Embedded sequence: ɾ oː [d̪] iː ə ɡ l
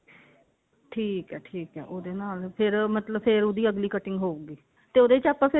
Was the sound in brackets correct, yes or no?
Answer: yes